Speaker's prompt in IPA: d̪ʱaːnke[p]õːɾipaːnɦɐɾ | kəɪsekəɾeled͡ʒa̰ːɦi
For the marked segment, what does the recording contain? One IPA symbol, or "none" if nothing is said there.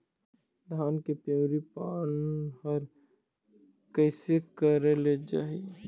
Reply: p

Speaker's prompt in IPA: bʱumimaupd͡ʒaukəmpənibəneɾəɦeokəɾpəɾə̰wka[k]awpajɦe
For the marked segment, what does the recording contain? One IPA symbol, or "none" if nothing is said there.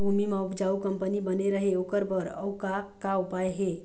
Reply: k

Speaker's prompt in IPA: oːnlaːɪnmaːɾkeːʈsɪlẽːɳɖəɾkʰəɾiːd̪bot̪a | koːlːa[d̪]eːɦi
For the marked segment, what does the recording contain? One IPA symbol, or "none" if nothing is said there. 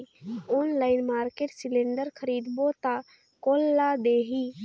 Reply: d̪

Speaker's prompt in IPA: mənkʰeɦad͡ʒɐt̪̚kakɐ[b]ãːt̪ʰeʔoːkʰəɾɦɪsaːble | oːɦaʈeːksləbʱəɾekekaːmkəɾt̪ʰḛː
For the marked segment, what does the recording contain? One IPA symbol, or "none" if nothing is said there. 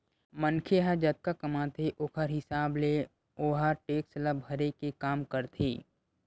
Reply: m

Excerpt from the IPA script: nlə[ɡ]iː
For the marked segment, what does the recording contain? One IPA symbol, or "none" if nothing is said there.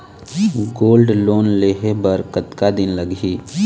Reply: ɡ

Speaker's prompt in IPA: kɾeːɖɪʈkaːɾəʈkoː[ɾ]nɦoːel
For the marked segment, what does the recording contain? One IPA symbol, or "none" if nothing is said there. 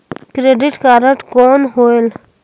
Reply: none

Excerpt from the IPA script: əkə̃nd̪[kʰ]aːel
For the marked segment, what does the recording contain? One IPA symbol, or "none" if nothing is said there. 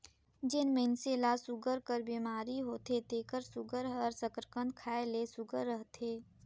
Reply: kʰ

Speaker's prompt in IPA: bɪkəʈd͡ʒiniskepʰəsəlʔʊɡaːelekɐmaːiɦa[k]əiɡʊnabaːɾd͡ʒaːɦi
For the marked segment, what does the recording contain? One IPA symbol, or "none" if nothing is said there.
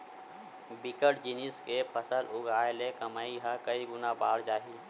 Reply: k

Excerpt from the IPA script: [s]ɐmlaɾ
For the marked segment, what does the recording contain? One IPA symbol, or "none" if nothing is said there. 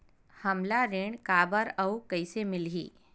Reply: h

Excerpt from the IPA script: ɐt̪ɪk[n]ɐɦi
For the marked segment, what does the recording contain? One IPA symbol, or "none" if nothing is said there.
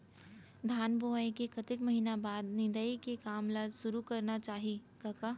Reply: m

